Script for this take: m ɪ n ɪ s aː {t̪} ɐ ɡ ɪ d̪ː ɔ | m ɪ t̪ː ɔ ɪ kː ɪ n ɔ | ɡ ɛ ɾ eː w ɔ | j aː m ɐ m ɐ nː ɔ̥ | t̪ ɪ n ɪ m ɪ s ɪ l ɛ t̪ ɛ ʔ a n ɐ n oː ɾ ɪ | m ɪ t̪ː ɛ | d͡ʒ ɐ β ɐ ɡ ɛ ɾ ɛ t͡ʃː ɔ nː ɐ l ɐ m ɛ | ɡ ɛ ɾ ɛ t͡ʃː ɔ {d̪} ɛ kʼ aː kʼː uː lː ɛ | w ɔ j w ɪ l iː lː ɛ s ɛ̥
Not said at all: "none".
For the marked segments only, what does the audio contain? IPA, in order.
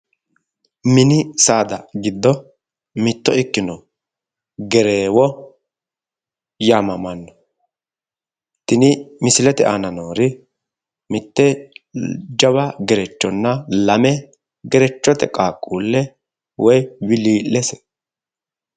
d̪, t̪

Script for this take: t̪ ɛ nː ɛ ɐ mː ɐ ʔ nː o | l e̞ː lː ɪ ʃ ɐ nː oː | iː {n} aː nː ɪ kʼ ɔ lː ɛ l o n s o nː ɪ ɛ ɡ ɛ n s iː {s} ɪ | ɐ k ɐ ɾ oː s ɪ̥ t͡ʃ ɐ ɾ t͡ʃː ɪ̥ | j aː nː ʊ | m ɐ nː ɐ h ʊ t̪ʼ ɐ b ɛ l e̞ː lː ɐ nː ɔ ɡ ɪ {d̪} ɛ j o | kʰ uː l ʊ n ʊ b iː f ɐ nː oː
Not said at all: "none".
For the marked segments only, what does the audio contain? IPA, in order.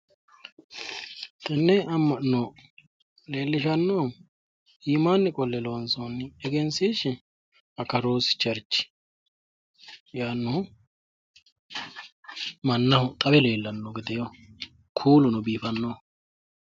m, ʃ, d̪

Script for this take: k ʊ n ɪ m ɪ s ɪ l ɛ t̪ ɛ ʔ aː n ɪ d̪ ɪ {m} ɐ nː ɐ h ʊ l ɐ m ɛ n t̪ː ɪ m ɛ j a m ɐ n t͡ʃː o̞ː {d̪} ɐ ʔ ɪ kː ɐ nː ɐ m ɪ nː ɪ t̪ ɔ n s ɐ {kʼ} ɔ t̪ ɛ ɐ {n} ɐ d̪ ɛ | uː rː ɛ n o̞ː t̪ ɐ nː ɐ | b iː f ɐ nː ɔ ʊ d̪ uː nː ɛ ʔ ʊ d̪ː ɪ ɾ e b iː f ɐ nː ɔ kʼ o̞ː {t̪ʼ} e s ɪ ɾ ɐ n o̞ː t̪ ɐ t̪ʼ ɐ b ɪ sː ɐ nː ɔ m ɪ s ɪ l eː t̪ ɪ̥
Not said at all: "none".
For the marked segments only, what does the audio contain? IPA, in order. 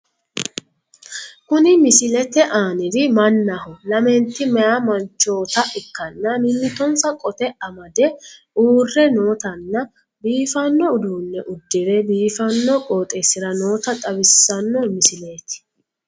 m, t̪, kʼ, m, t̪ʼ

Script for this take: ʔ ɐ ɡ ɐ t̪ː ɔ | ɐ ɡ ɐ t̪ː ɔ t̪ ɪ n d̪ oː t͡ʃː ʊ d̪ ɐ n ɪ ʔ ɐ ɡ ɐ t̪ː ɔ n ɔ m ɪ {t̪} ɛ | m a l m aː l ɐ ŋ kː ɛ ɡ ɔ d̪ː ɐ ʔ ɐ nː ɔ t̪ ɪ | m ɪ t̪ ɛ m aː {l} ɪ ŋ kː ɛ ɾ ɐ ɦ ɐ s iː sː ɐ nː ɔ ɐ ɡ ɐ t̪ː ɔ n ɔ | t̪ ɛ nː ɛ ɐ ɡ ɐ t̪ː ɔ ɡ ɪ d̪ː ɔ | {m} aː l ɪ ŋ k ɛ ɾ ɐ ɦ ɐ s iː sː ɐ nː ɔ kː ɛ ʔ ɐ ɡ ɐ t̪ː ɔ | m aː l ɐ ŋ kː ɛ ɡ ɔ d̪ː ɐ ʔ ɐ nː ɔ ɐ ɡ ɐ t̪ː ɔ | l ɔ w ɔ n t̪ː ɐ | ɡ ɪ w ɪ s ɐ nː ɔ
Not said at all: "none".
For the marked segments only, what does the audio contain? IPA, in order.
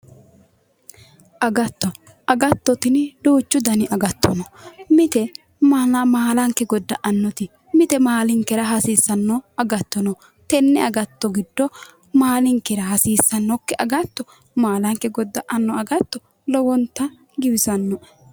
t̪, l, m

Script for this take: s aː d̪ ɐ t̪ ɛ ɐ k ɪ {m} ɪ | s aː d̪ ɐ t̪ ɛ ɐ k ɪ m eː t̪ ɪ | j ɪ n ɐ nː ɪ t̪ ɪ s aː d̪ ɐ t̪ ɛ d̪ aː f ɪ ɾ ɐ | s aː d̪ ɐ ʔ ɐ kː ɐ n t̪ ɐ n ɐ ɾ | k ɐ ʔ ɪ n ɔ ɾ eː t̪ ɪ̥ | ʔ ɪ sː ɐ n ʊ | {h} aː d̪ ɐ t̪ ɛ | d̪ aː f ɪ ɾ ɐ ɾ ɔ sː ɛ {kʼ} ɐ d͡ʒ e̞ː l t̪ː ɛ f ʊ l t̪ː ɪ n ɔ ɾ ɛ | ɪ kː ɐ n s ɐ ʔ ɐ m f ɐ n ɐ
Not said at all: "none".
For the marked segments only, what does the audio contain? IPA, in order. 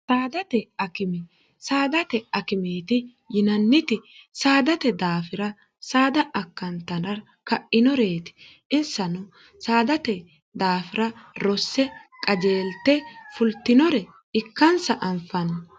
m, s, kʼ

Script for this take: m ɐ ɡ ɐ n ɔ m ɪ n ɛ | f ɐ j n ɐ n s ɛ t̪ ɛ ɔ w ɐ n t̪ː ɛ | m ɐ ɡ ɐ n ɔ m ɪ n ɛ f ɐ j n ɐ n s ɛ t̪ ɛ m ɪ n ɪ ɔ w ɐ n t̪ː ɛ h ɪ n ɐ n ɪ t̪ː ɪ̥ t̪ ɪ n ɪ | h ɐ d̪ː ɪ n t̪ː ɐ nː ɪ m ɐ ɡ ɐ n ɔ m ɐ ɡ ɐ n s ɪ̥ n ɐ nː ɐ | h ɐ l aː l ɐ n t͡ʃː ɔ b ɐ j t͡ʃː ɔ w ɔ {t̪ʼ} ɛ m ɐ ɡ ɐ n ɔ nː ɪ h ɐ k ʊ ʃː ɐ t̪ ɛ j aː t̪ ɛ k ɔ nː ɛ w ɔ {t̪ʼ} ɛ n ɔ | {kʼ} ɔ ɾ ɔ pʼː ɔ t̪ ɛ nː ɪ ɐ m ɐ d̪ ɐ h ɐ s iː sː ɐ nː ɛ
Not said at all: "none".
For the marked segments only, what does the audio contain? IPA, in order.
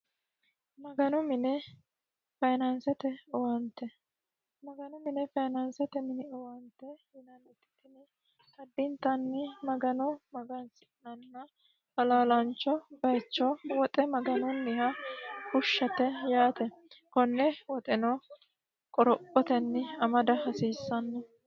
t̪ʼ, t̪ʼ, kʼ

